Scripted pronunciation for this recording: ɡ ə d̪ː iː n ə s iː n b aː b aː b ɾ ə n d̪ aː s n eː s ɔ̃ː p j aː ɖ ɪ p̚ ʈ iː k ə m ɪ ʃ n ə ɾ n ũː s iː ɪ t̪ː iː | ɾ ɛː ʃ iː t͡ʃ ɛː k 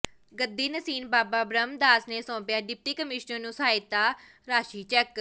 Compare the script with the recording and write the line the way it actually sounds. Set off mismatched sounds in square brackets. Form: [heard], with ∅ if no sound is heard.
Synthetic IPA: ɡ ə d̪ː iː n ə s iː n b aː b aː b ɾ ə [m] d̪ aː s n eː s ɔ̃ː p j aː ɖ ɪ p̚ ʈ iː k ə m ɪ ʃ n ə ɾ n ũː s [aː] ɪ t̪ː [aː] | ɾ [aː] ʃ iː t͡ʃ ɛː k